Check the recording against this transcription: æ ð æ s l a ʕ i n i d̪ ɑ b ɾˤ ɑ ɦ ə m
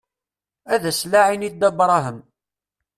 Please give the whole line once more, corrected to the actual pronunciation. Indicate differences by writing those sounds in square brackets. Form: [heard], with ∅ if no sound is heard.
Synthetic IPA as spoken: æ ð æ s l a ʕ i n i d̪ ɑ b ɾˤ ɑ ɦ ə m